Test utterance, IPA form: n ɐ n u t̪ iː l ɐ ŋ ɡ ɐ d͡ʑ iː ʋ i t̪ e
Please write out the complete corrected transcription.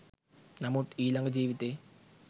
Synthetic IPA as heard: n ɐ m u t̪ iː l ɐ ŋ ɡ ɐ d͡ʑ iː ʋ i t̪ e